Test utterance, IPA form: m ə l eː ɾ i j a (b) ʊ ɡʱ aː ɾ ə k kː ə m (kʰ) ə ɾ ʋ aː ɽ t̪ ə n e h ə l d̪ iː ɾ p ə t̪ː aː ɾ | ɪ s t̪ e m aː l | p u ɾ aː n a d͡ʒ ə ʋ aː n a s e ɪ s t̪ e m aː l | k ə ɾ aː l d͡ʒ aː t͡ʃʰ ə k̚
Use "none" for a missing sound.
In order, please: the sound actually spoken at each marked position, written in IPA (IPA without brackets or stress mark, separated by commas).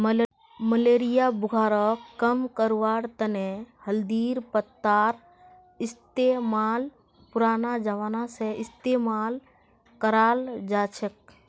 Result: b, k